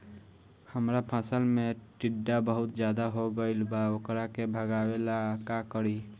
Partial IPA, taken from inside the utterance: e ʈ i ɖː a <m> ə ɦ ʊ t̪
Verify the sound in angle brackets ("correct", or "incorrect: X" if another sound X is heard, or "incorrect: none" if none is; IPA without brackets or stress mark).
incorrect: b